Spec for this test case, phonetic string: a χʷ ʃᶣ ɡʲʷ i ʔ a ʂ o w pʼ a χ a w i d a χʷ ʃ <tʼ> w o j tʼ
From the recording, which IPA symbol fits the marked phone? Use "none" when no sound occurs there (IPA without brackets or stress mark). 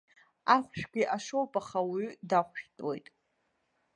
tʼ